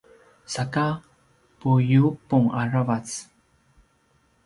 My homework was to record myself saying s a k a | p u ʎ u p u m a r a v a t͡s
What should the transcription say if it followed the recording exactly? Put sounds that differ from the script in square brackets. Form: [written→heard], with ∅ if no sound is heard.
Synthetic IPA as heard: s a k a | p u [ʎ→j] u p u [m→ŋ] a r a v a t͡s